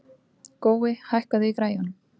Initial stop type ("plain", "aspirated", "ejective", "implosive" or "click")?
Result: plain